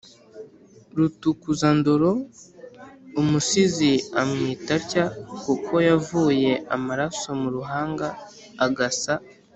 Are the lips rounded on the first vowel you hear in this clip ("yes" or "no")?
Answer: yes